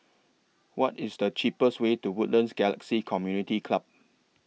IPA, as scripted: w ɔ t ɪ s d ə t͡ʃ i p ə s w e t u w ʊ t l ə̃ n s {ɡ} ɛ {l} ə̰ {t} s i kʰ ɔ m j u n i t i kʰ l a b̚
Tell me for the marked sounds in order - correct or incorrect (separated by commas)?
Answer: correct, correct, incorrect